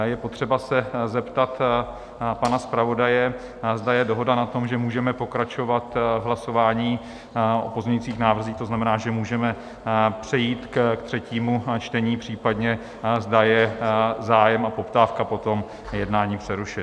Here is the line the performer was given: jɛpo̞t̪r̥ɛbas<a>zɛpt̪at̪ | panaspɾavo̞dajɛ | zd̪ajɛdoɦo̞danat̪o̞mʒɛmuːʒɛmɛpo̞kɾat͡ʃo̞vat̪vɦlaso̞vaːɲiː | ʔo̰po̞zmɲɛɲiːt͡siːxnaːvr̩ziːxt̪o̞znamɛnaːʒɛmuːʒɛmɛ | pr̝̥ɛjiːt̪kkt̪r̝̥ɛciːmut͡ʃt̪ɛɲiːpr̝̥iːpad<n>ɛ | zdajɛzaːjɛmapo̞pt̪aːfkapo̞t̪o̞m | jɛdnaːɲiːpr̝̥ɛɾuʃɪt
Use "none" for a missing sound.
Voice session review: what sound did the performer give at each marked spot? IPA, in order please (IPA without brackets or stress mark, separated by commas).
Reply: ɛ, ɲ